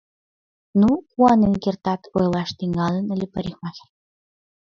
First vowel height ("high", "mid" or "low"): high